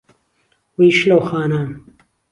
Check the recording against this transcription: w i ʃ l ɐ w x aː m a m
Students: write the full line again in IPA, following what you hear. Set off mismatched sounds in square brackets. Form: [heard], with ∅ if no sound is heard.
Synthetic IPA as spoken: w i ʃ l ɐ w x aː [n] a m